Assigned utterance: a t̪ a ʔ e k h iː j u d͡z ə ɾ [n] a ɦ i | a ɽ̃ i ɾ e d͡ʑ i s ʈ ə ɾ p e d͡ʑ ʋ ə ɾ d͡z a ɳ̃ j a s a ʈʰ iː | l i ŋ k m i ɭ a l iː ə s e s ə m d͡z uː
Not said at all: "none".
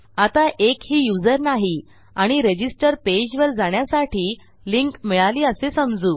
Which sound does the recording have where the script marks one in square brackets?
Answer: n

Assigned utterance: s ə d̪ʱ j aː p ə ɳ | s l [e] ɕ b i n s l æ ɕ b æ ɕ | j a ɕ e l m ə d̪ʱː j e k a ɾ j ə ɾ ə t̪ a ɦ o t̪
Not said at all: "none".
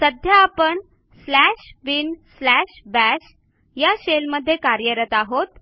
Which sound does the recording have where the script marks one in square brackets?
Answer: æ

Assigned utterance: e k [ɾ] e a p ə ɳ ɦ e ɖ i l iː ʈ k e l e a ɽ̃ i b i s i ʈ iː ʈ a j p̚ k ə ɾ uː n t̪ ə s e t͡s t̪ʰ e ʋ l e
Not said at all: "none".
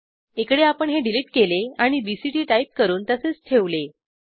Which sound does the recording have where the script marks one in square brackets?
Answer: ɽ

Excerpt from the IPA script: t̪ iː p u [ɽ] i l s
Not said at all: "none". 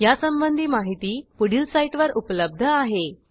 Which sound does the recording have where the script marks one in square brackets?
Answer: ɽ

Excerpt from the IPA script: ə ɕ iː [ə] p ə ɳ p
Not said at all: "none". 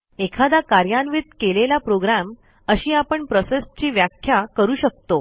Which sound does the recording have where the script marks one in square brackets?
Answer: a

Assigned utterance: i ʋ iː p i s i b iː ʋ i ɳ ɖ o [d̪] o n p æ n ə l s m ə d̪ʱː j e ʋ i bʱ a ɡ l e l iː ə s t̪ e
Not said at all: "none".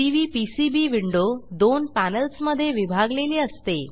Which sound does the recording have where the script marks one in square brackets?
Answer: d̪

